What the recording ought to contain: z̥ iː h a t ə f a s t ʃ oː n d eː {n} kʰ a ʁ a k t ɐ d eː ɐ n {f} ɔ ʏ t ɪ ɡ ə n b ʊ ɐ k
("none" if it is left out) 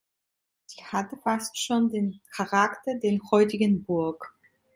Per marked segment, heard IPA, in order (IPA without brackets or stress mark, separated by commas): n, h